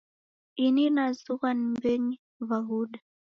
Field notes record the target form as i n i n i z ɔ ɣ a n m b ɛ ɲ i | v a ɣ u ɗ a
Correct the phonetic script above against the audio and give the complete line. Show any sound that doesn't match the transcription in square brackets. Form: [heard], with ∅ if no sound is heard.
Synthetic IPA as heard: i n i n [a] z [u] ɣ a n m b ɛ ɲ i | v a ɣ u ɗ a